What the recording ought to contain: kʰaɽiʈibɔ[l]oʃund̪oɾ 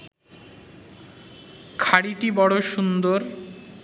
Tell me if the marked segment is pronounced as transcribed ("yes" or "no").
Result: no